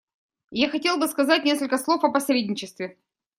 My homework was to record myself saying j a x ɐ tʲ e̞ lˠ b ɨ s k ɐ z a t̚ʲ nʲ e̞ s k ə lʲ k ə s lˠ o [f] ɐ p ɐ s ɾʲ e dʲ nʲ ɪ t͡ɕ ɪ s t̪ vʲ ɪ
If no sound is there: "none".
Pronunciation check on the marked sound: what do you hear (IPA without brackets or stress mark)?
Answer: f